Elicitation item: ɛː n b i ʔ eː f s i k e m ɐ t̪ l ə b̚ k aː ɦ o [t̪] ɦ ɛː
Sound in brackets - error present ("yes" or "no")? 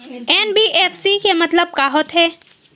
no